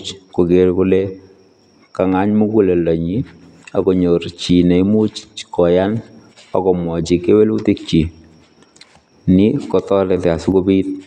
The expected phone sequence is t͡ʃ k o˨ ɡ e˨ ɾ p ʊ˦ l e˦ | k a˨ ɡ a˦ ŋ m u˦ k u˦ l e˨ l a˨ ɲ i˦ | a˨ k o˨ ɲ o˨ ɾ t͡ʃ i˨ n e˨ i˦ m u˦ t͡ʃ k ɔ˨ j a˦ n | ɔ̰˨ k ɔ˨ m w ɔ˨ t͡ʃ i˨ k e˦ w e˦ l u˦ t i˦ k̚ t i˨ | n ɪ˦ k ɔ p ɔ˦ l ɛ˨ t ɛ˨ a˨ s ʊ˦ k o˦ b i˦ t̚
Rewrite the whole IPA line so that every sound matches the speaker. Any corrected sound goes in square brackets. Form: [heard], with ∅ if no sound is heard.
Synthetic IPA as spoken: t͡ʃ k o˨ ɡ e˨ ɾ [k] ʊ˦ l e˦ | k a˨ [ŋ] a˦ [ɲ] m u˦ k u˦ l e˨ l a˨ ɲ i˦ | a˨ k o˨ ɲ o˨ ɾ t͡ʃ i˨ n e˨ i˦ m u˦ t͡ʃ k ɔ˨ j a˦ n | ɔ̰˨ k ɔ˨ m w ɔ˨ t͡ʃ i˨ k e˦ w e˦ l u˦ t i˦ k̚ [t͡ʃ] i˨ | n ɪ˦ k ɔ [t] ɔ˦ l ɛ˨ t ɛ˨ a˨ s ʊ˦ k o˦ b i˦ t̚